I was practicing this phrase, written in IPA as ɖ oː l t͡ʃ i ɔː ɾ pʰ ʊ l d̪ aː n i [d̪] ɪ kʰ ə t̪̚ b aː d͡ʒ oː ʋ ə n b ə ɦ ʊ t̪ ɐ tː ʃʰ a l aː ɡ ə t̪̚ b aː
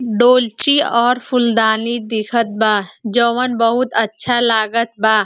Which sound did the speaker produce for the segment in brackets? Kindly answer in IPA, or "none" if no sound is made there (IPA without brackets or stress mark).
d̪